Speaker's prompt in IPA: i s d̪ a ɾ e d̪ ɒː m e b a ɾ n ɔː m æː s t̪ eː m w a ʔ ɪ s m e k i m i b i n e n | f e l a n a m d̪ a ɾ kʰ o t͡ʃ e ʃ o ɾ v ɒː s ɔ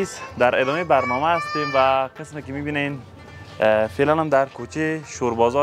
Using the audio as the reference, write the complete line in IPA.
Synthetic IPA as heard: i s d̪ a ɾ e d̪ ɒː m e b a ɾ n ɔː m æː s t̪ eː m v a q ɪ s m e k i m i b i n e n | f e l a n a m d̪ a ɾ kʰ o t͡ʃ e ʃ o ɾ b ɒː z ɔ